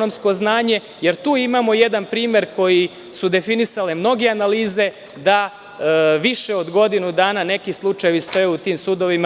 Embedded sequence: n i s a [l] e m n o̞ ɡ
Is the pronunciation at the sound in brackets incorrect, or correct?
correct